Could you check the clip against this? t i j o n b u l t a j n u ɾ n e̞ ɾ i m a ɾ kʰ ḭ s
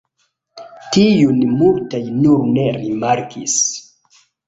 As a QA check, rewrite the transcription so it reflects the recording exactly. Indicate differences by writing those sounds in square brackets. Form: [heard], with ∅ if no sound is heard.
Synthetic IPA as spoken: t i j [u] n [m] u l t a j n u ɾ n e̞ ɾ i m a ɾ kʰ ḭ s